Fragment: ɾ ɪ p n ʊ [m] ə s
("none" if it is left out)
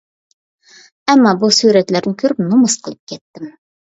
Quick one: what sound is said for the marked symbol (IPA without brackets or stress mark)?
m